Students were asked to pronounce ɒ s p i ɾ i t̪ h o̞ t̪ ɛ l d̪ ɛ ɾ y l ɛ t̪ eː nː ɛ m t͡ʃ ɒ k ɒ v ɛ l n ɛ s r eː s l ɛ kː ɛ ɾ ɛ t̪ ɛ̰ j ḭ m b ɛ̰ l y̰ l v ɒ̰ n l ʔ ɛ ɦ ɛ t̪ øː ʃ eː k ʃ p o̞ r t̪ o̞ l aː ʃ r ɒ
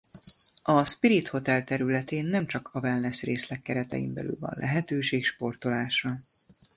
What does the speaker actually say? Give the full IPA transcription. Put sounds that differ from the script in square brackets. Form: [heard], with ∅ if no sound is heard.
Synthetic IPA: ɒ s p i ɾ i t̪ h o̞ t̪ ɛ l [t̪] ɛ ɾ y l ɛ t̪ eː nː ɛ m t͡ʃ ɒ k ɒ v ɛ l n ɛ s r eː s l ɛ kː ɛ ɾ ɛ t̪ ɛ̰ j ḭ m b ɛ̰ l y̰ l v ɒ̰ n l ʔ ɛ ɦ ɛ t̪ øː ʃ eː k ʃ p o̞ r t̪ o̞ l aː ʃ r ɒ

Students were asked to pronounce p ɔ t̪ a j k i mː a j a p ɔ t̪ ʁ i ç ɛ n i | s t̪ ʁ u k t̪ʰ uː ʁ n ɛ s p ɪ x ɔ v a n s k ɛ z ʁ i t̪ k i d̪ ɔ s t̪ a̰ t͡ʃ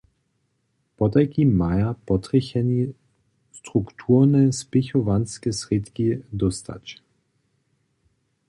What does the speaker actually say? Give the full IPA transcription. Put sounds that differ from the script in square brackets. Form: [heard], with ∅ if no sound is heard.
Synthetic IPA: p ɔ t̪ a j k i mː a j a p ɔ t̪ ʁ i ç ɛ n i | s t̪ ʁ u k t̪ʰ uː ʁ n ɛ s p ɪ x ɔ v a n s k ɛ [s] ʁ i t̪ k i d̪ ɔ s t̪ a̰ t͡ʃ

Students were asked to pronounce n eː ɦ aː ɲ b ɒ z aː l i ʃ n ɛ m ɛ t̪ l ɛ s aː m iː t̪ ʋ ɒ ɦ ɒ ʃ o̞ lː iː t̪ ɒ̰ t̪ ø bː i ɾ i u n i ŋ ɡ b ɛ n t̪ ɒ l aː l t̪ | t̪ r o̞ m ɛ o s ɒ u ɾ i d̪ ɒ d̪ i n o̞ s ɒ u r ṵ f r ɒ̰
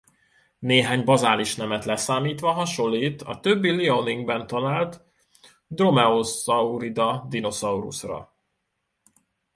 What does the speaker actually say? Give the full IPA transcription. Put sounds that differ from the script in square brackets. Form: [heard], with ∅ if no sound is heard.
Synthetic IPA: n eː ɦ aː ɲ b ɒ z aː l i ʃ n ɛ m ɛ t̪ l ɛ s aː m iː t̪ ʋ ɒ ɦ ɒ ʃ o̞ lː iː t̪ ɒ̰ t̪ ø bː i [l] i [o] n i ŋ ɡ b ɛ n t̪ ɒ l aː l t̪ | [d̪] r o̞ m ɛ o s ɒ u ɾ i d̪ ɒ d̪ i n o̞ s ɒ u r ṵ [s] r ɒ̰

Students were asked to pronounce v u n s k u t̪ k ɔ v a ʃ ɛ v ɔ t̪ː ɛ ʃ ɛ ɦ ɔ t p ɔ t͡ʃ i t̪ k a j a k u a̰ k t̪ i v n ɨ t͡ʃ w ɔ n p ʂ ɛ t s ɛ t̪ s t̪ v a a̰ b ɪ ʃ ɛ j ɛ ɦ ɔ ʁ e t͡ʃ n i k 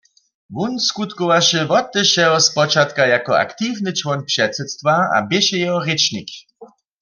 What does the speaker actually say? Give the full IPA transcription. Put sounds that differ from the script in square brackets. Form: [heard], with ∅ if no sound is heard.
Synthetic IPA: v u n s k u t̪ k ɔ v a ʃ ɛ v ɔ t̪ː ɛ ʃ ɛ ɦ ɔ [s] p ɔ t͡ʃ [a] t̪ k a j a k [ɔ] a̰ k t̪ i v n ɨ t͡ʃ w ɔ n p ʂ ɛ t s ɛ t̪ s t̪ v a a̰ b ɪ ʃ ɛ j ɛ ɦ ɔ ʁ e t͡ʃ n i k

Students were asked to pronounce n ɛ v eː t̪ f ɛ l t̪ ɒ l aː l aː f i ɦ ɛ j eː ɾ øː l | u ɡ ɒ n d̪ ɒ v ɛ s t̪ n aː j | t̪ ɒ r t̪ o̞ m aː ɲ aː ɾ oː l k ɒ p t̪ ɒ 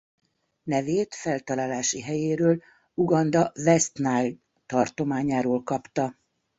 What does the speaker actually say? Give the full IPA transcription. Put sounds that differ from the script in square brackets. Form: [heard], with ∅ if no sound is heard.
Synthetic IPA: n ɛ v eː t̪ f ɛ l t̪ ɒ l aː l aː [ʃ] i ɦ ɛ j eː ɾ øː l | u ɡ ɒ n d̪ ɒ v ɛ s t̪ n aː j | t̪ ɒ r t̪ o̞ m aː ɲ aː ɾ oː l k ɒ p t̪ ɒ

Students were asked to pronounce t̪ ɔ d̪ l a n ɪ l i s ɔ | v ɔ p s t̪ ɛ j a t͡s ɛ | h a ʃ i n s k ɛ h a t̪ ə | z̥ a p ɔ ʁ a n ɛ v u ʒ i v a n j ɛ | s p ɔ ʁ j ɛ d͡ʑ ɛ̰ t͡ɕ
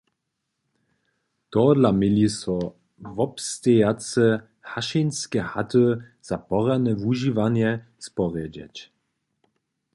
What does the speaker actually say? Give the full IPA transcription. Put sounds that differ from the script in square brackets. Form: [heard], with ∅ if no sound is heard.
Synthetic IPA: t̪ ɔ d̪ l a [m] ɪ l i s ɔ | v ɔ p s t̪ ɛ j a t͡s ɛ | h a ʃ i n s k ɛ h a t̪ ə | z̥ a p ɔ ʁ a n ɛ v u ʒ i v a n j ɛ | s p ɔ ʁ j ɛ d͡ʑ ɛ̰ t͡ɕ

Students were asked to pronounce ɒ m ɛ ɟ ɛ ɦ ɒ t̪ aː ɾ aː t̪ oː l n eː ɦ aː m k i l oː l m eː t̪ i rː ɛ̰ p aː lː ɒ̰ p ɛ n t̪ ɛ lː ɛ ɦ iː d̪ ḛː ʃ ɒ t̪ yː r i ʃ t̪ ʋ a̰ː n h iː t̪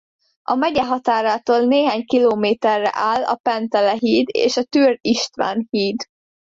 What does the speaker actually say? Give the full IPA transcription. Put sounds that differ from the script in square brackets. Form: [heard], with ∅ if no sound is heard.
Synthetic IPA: ɒ m ɛ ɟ ɛ ɦ ɒ t̪ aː ɾ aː t̪ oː l n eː ɦ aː [ɲ] k i l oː [∅] m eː t̪ [ɛ] rː ɛ̰ [ʔ] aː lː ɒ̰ p ɛ n t̪ ɛ [l] ɛ ɦ iː d̪ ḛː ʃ ɒ t̪ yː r i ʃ t̪ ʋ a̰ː n h iː [d̪]

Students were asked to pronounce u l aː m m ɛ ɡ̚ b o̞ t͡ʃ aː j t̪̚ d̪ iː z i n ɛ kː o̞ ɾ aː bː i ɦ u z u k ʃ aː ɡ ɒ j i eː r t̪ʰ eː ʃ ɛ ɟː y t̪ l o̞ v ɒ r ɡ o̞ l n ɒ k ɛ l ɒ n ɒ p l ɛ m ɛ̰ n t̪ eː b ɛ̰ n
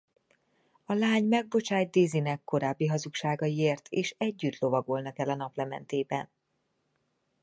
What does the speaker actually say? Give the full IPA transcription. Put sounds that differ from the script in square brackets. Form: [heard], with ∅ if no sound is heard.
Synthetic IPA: [ɒ] l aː [ɲ] m ɛ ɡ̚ b o̞ t͡ʃ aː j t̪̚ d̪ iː z i n ɛ kː o̞ ɾ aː bː i ɦ [ɒ] z u k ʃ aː ɡ ɒ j i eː r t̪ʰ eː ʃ ɛ ɟː y t̪ l o̞ v ɒ [∅] ɡ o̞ l n ɒ k ɛ l ɒ n ɒ p l ɛ m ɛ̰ n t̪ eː b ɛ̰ n

